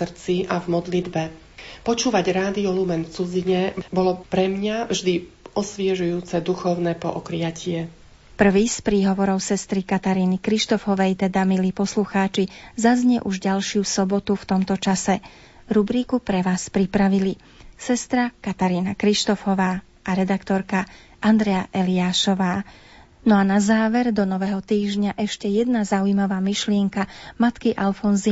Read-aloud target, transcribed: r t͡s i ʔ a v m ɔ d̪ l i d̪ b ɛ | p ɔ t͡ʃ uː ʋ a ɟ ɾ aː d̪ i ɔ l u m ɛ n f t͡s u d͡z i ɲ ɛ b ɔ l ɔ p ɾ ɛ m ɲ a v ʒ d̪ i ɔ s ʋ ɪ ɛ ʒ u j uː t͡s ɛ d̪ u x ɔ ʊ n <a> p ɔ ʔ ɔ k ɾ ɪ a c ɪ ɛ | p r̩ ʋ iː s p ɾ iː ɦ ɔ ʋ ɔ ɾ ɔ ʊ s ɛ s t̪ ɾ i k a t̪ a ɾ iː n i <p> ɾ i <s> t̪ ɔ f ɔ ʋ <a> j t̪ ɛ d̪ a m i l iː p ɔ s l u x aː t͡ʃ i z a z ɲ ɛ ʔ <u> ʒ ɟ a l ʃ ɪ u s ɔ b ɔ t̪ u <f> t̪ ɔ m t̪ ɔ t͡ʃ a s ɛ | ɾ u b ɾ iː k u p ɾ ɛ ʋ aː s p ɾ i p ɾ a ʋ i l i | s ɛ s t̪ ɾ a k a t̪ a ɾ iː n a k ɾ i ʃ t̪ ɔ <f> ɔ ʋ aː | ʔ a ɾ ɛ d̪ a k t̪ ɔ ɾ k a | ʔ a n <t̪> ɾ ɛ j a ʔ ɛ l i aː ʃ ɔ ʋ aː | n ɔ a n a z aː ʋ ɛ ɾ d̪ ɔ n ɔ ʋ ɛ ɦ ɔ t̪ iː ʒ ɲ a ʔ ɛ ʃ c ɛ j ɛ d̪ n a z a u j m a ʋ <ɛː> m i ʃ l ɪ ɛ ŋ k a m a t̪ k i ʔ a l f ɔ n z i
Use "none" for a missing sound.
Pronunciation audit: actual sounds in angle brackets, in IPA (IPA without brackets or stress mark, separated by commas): ɛ, k, ʃ, ɛ, u, f, f, d̪, aː